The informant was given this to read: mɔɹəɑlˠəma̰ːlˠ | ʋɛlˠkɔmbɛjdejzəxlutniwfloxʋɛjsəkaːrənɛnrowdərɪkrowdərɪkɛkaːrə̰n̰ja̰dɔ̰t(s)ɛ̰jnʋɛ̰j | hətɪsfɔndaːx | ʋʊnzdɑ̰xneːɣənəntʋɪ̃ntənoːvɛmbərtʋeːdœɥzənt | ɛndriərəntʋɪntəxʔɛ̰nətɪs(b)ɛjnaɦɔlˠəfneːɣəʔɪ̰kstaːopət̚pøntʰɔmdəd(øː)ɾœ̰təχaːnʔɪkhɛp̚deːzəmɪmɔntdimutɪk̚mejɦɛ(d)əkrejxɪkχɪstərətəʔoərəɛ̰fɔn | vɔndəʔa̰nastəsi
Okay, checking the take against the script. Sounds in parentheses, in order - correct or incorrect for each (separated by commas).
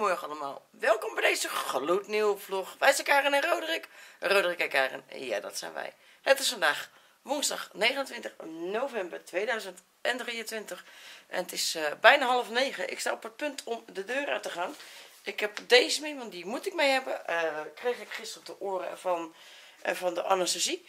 correct, correct, correct, incorrect